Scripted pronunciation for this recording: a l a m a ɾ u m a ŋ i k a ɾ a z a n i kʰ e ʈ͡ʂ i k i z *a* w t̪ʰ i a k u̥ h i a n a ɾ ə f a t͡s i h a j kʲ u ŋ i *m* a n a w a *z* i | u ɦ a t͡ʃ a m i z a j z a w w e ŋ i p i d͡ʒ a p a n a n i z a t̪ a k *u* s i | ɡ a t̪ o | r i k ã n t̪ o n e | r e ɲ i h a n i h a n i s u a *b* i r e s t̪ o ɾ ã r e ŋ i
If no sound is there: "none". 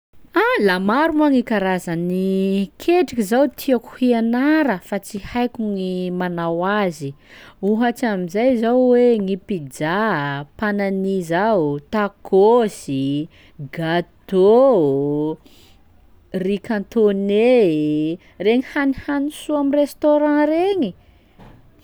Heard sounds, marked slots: a, m, z, o, m

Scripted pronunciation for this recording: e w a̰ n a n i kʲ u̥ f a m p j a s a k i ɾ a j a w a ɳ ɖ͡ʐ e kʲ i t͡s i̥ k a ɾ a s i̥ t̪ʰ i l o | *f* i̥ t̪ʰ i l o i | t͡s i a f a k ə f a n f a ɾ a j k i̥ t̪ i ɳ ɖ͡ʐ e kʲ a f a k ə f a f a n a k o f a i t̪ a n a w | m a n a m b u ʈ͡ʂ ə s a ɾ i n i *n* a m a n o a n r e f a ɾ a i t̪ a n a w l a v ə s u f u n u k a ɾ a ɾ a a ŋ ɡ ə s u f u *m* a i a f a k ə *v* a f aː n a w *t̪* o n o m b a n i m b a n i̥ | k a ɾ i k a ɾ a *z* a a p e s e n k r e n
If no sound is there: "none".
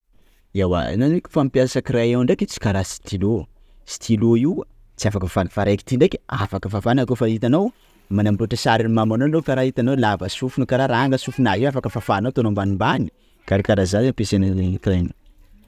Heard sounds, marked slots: s, m, n, f, t̪, z

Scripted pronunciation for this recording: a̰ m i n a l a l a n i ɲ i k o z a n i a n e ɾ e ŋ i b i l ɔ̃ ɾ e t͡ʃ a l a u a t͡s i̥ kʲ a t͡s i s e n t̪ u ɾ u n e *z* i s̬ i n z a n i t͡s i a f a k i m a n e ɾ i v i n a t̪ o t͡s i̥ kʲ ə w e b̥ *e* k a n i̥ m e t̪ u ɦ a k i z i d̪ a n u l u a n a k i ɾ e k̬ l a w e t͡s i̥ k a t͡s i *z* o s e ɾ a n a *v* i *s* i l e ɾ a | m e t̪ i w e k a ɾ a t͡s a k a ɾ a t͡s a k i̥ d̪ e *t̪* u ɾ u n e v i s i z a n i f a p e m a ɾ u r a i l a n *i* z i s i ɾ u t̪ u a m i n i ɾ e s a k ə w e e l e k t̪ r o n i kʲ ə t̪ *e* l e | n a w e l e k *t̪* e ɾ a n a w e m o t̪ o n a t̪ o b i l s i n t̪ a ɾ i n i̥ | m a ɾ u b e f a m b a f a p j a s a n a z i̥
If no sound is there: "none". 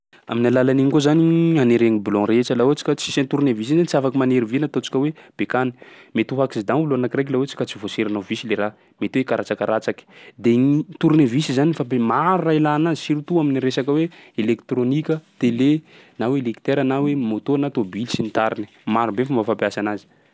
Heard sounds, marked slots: v, e, v, v, s, t̪, a, e, t̪

